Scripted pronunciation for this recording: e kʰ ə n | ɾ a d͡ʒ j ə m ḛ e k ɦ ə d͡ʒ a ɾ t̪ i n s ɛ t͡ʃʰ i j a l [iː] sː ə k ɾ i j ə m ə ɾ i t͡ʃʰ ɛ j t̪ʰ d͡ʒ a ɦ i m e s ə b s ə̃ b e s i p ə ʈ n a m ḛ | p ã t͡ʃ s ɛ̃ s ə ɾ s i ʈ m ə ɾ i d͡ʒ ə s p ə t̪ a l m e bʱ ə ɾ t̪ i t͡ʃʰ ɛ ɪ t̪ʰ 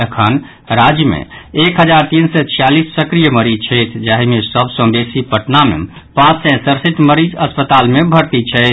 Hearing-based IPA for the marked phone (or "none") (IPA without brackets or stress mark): i